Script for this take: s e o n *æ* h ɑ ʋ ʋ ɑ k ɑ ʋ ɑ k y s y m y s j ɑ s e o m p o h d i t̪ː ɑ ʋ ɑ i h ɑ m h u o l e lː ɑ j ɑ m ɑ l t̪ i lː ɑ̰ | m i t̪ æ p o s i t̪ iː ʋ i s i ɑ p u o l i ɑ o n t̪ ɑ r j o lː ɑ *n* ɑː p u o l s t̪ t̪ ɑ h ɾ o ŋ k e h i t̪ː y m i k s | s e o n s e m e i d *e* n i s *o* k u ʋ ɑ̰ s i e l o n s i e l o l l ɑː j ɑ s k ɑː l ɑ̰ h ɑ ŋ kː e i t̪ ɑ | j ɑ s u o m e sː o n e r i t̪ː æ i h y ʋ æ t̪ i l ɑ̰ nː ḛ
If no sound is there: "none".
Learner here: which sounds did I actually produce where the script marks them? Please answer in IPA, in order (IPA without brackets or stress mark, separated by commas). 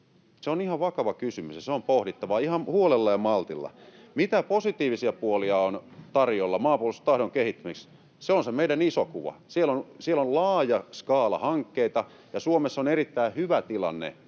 i, m, æ, o